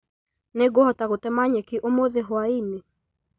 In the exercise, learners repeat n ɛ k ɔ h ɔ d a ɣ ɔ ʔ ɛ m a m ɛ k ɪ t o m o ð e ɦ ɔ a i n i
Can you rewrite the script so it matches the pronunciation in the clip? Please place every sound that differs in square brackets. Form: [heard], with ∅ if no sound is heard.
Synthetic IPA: n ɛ [ɡ] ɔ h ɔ [t] a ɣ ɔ [t] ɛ m a [ɲ] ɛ k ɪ [ʔ] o m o ð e ɦ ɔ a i n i